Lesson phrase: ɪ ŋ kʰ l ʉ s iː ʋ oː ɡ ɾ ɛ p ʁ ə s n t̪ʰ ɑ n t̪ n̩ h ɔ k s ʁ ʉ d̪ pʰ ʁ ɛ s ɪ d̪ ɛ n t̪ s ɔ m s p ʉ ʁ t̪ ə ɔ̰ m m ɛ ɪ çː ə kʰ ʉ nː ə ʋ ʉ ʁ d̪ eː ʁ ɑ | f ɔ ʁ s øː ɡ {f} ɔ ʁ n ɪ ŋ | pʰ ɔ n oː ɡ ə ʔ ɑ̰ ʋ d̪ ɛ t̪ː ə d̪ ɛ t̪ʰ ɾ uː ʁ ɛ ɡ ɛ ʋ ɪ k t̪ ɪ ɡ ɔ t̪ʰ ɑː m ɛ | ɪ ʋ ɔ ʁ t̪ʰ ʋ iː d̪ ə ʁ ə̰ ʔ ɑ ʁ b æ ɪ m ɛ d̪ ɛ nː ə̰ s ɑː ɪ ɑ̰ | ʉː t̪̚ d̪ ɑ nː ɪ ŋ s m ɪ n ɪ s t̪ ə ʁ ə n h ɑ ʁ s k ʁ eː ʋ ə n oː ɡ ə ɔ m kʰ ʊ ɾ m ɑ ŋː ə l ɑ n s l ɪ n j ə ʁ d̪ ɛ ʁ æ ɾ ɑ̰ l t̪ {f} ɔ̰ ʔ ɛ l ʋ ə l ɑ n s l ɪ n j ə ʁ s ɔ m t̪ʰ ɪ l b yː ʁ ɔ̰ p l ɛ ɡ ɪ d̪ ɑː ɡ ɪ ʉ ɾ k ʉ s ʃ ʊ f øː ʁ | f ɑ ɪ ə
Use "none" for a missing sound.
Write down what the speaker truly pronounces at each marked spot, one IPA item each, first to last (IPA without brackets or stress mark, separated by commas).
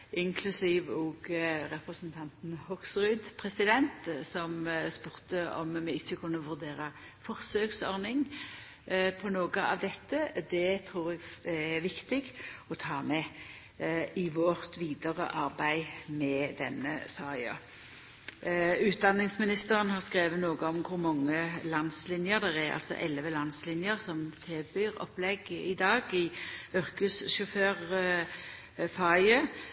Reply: s, s